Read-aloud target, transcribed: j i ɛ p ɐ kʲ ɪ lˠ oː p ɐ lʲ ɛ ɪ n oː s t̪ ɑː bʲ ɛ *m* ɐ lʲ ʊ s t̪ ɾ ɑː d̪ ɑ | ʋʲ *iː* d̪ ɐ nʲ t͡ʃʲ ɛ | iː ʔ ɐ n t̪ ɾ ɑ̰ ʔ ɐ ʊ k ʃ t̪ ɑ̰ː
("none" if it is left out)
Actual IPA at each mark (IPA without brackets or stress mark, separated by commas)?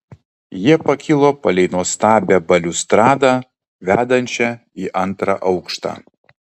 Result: b, æː